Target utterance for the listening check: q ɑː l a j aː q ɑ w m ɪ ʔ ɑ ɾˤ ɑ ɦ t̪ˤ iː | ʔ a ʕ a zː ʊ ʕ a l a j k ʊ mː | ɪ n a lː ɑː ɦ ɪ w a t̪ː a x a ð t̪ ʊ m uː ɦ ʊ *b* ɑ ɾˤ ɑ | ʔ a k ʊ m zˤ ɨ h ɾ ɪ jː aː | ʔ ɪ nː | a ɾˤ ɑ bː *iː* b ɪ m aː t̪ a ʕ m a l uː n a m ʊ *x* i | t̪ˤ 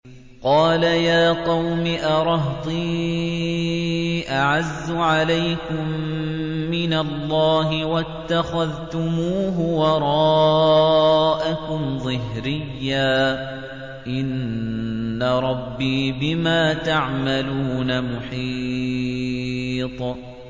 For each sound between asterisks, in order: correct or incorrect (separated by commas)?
incorrect, correct, incorrect